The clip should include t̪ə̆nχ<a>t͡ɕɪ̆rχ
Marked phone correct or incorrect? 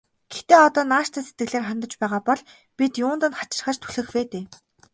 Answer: correct